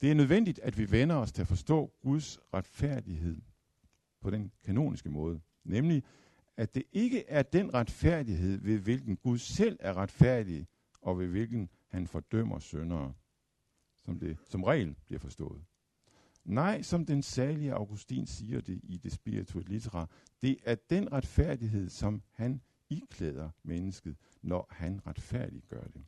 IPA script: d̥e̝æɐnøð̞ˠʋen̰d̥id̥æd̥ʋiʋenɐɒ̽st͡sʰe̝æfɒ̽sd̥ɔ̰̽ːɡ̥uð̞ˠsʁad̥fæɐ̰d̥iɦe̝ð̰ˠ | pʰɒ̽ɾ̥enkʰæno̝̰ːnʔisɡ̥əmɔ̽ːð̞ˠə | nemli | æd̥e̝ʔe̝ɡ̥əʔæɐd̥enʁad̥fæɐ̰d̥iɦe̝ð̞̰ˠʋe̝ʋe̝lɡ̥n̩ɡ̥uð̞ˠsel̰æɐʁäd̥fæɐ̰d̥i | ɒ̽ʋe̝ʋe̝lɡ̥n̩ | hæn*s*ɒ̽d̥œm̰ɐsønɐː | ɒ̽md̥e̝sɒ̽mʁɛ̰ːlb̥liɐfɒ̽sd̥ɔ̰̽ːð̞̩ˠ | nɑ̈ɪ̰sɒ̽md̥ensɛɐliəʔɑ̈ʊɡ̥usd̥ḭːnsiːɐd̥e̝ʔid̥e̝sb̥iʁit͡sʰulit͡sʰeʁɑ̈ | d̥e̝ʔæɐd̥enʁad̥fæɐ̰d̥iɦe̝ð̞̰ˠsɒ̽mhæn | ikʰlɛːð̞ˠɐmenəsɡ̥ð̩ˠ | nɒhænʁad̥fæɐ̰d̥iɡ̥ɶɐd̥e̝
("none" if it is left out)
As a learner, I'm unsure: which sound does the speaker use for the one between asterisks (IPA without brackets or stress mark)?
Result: f